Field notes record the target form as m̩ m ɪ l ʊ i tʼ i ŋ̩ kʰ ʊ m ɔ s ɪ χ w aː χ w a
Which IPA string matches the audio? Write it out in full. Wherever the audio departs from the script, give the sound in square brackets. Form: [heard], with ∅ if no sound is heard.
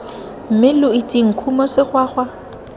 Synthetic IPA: m̩ m ɪ l ʊ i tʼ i ŋ̩ kʰ [u] m ɔ s ɪ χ w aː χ w a